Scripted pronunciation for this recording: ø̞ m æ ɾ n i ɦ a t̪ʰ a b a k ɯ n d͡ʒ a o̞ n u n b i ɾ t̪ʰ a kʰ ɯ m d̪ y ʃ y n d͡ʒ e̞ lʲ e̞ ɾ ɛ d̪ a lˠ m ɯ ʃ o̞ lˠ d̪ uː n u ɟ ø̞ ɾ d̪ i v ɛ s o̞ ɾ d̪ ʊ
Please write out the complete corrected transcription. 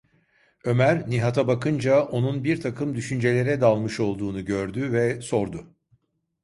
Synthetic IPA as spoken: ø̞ m æ ɾ n i ɦ a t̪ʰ a b a k ɯ n d͡ʒ a o̞ n u n b i ɾ t̪ʰ a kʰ ɯ m d̪ y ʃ y n d͡ʒ e̞ lʲ e̞ ɾ ɛ d̪ a lˠ m ɯ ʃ o̞ lˠ d̪ uː n u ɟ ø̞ ɾ d̪ y v ɛ s o̞ ɾ d̪ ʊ